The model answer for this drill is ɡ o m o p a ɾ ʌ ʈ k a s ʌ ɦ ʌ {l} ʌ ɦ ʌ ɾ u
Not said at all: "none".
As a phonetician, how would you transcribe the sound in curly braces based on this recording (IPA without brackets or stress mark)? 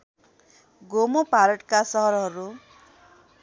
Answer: ɾ